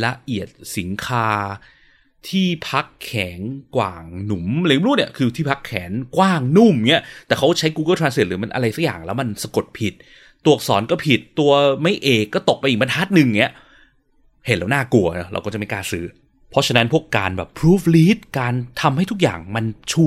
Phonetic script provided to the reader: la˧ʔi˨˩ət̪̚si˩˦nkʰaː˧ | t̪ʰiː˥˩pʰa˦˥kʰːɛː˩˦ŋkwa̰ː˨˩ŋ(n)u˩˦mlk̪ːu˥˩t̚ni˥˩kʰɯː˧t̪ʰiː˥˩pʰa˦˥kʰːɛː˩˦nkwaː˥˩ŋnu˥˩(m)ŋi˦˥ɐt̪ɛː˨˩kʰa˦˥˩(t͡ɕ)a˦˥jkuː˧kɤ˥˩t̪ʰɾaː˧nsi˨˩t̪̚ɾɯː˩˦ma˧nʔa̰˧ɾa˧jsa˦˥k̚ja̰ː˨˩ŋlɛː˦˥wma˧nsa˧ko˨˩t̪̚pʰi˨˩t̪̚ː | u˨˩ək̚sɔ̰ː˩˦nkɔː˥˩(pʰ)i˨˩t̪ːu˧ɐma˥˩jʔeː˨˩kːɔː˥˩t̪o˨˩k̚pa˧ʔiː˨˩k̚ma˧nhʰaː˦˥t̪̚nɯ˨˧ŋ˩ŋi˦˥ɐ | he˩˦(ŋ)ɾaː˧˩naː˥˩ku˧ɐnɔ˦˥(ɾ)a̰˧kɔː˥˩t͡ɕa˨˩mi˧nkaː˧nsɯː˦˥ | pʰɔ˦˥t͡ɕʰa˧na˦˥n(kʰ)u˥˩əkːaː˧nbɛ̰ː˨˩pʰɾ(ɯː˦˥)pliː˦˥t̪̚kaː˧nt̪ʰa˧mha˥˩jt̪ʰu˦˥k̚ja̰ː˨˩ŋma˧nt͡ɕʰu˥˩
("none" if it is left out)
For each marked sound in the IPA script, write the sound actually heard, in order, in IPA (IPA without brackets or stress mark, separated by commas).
n, m, t͡ɕʰ, pʰ, n, ɾ, pʰ, uː˦˥